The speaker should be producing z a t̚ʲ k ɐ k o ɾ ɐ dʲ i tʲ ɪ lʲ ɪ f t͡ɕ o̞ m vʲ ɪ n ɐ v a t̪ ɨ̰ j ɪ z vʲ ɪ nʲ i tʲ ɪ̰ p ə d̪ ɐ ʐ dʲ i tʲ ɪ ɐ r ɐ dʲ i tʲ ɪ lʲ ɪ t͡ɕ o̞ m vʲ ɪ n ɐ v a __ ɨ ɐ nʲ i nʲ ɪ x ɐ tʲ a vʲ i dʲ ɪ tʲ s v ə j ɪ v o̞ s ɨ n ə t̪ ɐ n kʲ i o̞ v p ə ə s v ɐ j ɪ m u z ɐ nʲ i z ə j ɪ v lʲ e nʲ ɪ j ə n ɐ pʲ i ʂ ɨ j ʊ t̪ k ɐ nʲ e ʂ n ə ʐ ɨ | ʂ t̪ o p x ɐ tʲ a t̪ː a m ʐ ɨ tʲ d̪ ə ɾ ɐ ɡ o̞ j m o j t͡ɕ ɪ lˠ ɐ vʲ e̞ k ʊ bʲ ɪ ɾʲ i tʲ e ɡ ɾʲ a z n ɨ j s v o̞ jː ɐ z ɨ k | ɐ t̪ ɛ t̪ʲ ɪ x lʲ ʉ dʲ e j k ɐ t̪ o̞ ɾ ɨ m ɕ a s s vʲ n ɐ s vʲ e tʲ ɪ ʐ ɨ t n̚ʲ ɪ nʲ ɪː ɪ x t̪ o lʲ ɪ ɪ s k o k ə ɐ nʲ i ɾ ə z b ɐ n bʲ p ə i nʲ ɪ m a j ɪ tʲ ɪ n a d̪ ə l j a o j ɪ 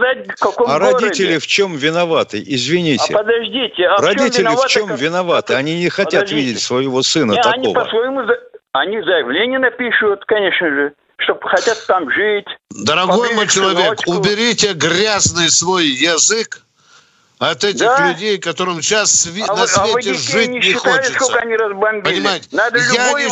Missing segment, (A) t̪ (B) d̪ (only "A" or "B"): A